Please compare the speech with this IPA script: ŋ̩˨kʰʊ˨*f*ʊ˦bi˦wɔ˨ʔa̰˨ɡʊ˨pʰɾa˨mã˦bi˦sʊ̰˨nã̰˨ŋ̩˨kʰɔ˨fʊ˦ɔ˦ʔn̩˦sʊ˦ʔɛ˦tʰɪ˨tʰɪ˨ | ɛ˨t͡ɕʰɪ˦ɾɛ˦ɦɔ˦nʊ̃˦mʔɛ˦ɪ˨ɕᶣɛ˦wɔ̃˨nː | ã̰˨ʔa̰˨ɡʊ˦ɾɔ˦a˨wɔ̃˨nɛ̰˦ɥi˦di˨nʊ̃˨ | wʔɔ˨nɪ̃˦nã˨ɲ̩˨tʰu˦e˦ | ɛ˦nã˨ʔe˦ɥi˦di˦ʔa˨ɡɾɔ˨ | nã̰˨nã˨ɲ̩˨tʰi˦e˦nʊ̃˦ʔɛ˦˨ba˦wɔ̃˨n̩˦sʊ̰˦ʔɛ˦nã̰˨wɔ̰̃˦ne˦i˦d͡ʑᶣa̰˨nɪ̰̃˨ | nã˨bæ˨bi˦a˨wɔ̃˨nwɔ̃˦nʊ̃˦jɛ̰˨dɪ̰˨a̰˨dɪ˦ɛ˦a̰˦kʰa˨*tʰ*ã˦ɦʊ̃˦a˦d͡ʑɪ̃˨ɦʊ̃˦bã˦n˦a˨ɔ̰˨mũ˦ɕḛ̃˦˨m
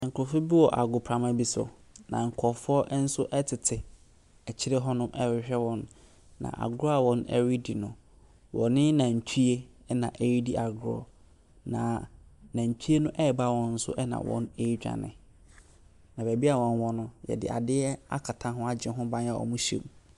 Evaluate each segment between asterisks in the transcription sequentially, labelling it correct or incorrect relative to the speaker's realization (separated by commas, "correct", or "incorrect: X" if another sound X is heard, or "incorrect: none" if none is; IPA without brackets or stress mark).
correct, correct